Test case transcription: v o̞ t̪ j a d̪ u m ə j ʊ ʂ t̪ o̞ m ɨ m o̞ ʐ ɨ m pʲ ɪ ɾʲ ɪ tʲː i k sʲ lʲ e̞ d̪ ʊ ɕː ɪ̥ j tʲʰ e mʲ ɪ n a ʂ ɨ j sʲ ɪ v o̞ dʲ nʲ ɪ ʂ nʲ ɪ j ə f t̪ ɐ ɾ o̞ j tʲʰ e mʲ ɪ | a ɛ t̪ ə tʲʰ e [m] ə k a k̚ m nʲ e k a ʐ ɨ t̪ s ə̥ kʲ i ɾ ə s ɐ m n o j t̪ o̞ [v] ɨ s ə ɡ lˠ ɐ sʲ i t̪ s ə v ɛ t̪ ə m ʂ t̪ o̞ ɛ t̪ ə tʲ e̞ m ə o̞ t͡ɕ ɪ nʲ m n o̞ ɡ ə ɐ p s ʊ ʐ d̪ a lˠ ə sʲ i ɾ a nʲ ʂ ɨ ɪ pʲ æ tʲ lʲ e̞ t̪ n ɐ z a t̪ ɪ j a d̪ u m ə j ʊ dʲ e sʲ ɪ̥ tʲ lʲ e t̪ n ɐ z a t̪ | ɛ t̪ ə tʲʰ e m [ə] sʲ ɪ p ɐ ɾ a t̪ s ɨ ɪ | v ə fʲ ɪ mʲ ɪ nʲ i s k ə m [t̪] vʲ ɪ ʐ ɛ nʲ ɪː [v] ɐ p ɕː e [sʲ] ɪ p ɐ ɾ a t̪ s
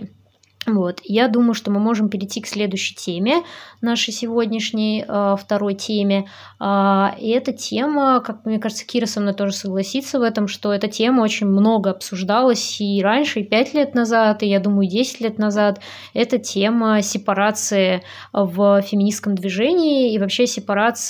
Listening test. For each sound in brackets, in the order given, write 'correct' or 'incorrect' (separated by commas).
correct, incorrect, correct, incorrect, correct, correct